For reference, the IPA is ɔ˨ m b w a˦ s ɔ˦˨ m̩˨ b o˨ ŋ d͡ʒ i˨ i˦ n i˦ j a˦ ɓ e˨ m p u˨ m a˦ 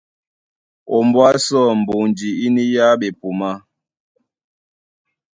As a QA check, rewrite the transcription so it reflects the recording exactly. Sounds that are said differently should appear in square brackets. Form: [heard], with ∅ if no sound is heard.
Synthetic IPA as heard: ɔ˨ m b w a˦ s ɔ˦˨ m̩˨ b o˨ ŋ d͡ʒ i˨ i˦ n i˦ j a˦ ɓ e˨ [∅] p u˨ m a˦